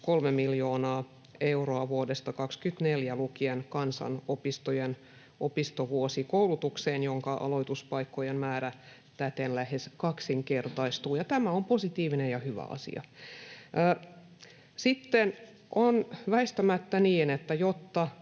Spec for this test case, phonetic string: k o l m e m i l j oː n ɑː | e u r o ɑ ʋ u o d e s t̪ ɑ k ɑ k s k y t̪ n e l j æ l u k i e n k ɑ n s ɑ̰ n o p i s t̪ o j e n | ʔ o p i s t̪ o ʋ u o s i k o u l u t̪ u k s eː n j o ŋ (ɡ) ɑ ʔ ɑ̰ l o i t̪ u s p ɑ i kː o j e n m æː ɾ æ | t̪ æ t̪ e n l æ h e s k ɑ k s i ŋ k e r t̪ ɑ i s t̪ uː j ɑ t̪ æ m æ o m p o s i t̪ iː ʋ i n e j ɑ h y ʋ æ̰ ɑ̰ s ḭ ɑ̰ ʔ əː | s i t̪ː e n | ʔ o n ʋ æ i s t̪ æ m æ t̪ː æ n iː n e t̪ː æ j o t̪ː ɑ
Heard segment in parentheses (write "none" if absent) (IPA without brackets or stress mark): k